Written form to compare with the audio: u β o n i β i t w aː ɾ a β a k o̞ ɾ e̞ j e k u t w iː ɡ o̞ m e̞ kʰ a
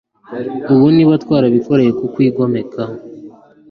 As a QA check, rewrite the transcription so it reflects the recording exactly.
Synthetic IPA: u β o n i β a t w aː ɾ a β i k o̞ ɾ e̞ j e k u k w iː ɡ o̞ m e̞ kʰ a